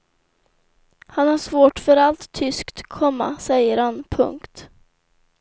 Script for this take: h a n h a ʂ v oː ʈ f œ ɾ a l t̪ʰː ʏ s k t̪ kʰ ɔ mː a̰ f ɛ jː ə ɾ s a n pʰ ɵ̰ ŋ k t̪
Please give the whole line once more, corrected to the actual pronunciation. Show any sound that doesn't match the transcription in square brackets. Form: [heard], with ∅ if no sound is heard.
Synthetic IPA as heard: h a n h a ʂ v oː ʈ f œ ɾ a l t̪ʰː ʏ s k t̪ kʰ ɔ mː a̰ [s] ɛ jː ə ɾ [h] a n pʰ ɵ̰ ŋ k t̪